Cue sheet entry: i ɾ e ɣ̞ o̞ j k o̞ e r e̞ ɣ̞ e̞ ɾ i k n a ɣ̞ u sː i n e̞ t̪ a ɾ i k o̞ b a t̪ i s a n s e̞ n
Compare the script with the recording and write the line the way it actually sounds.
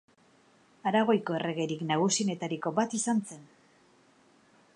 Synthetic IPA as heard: a ɾ a ɣ̞ o̞ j k o̞ e r e̞ ɣ̞ e̞ ɾ i k n a ɣ̞ u s i n e̞ t̪ a ɾ i k o̞ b a t̪ i s a n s e̞ n